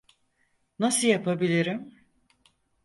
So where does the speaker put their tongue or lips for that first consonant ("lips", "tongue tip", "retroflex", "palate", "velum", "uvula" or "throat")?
tongue tip